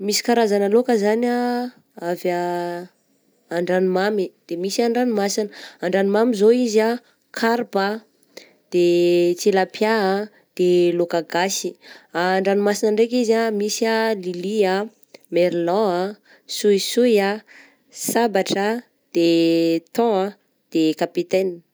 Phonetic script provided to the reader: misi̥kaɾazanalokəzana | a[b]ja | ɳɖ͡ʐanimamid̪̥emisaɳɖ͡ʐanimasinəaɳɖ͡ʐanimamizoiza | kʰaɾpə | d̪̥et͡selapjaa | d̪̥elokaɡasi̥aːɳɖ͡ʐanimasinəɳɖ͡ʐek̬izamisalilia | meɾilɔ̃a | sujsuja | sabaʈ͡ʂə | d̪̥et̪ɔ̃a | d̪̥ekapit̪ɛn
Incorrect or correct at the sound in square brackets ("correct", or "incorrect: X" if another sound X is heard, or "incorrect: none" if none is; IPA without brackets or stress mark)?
incorrect: v